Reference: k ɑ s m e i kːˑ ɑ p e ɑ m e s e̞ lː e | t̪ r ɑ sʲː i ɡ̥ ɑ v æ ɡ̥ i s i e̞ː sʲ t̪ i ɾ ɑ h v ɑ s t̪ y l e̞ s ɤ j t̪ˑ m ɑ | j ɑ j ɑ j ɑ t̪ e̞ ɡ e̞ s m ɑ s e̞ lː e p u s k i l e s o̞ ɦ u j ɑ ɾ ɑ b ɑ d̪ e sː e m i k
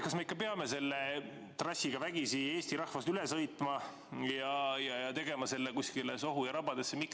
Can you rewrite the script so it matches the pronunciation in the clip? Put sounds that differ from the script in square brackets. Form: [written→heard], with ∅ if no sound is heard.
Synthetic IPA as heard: k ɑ s m e i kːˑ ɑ p e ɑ m e s e̞ lː e | t̪ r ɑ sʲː i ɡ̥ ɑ v æ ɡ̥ i s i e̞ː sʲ t̪ i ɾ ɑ h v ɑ s t̪ y l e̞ s ɤ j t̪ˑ m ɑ | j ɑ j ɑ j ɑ t̪ e̞ ɡ e̞ [s→∅] m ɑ s e̞ lː e [p→k] u s k i l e s o̞ ɦ u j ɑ ɾ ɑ b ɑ d̪ e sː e m i k